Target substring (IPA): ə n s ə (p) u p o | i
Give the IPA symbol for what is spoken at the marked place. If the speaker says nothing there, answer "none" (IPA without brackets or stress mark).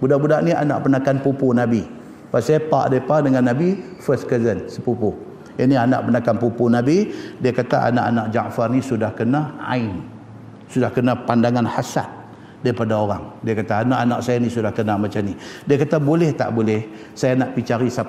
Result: p